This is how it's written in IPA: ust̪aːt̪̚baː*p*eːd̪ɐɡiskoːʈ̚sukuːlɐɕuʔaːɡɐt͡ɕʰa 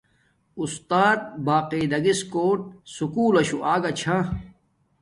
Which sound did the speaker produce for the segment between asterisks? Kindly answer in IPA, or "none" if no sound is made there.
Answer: q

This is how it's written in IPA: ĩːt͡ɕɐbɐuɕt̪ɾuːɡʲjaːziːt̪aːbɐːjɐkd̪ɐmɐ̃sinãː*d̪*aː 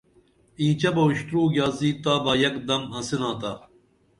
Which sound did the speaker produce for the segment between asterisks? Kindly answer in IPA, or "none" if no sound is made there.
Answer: t̪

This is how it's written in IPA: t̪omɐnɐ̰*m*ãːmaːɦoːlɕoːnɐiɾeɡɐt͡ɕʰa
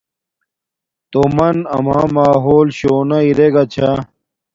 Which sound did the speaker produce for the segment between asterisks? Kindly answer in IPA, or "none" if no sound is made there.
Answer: m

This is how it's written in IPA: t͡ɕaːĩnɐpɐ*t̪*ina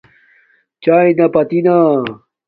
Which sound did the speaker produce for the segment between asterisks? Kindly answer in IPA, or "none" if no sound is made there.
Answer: t̪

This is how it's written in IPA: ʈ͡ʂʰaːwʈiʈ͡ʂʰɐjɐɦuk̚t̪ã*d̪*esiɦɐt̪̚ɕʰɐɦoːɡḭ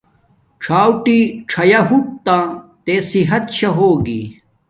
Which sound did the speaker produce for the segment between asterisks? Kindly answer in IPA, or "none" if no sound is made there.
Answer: t̪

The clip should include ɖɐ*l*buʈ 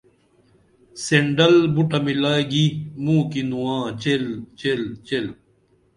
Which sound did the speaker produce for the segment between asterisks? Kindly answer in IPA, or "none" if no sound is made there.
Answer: l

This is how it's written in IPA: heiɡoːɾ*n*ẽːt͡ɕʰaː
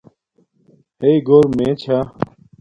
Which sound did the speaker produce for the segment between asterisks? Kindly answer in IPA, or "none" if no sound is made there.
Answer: m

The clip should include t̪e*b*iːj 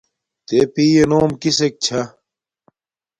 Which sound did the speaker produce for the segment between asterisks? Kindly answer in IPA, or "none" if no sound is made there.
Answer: p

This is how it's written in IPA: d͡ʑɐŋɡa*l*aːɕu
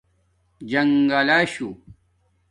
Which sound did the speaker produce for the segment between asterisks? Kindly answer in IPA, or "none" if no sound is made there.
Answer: l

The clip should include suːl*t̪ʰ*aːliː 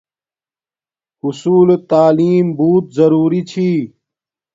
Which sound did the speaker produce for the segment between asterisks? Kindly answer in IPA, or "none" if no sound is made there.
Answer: t̪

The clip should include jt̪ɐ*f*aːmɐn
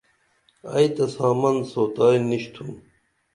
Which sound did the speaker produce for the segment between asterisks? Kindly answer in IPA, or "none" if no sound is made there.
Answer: s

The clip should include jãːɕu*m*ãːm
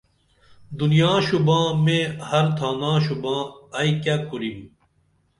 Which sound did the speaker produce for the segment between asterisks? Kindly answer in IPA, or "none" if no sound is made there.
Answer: b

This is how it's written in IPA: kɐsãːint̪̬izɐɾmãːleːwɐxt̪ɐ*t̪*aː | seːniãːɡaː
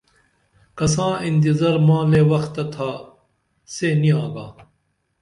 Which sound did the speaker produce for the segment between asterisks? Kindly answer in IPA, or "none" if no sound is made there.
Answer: t̪ʰ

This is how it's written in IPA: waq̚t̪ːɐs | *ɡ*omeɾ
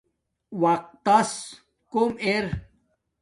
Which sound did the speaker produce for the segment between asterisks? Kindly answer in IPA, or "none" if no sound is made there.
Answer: k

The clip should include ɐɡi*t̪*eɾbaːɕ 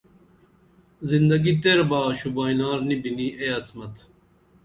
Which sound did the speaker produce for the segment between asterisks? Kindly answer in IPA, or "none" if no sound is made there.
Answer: t̪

